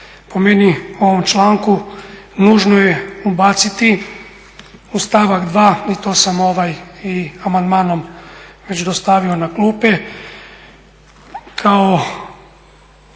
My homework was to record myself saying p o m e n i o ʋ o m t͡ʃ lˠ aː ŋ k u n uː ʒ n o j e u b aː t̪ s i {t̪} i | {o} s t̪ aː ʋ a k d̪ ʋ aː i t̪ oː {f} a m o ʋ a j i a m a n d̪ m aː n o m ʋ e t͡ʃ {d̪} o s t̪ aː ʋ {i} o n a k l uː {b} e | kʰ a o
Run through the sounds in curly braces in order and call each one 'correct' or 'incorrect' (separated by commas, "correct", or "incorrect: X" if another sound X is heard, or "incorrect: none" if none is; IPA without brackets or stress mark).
correct, incorrect: u, incorrect: s, correct, correct, incorrect: p